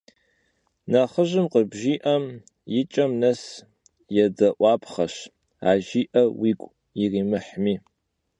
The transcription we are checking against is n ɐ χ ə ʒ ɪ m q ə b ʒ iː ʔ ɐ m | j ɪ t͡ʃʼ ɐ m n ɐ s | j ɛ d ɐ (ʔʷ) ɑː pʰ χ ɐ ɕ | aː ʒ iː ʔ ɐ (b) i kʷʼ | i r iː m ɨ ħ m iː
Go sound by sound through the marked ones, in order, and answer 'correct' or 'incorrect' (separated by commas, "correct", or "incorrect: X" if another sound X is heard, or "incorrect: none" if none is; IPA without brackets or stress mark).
correct, incorrect: w